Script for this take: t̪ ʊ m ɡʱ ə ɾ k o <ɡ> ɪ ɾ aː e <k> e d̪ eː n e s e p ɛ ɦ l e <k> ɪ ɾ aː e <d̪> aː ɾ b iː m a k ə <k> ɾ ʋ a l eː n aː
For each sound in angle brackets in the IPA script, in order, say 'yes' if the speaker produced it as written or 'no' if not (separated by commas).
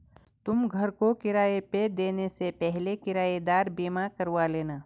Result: no, no, yes, yes, no